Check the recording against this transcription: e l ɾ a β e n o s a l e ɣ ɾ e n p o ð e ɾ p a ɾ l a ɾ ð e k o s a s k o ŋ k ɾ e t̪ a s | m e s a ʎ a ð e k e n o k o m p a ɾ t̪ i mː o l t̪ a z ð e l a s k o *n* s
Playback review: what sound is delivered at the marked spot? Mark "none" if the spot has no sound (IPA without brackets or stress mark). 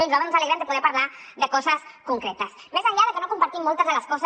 none